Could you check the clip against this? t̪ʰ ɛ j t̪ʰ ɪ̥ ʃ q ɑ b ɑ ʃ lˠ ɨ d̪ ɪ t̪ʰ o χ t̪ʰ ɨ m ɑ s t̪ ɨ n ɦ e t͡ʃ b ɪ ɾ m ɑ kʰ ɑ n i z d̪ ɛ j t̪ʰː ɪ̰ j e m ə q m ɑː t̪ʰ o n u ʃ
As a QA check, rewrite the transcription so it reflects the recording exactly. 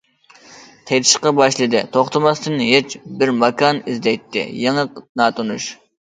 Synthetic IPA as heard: t̪ʰ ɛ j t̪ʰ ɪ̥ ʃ q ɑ b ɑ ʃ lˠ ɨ d̪ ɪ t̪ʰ o χ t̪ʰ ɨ m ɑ s t̪ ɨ n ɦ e t͡ʃ b ɪ ɾ m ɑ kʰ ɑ n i z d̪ ɛ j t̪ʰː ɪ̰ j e ŋ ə q n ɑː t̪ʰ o n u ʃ

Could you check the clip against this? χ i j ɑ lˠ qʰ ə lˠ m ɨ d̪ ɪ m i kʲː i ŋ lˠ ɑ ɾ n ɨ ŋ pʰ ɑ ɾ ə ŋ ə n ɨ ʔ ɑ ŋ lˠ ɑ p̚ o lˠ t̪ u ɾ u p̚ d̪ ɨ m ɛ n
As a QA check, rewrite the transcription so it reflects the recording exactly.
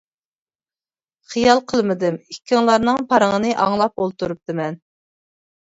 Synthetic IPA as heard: χ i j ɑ lˠ qʰ ə lˠ m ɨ d̪ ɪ m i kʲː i ŋ lˠ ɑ ɾ n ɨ ŋ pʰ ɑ ɾ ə ŋ ə n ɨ ʔ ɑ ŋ lˠ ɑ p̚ o lˠ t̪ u ɾ u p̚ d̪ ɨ m ɛ n

